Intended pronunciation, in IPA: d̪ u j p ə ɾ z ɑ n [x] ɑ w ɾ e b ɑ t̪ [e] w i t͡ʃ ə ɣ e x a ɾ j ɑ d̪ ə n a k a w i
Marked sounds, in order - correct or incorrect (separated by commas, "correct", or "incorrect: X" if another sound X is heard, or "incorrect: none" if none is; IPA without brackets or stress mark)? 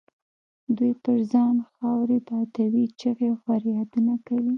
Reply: correct, incorrect: a